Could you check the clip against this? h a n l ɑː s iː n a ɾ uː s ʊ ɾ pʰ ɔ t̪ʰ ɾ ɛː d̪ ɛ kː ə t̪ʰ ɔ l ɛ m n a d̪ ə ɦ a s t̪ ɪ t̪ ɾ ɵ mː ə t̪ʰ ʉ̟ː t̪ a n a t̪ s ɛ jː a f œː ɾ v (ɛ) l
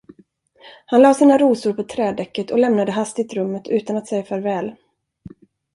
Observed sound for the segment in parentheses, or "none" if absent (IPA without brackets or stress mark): ɛː